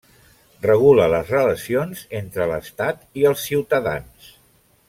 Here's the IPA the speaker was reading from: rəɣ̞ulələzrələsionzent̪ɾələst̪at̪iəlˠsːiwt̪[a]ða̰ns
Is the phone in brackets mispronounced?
yes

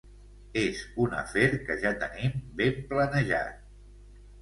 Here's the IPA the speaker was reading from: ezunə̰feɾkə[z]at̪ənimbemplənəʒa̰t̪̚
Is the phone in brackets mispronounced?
yes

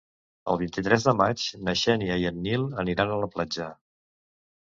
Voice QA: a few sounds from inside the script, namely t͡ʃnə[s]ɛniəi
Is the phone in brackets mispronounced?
yes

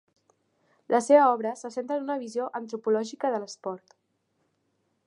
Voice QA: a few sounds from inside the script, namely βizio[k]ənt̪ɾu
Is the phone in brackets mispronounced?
yes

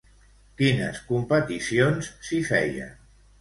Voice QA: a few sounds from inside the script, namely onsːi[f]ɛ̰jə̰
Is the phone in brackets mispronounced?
no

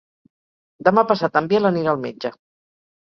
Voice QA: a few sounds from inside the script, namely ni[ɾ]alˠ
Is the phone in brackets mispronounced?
no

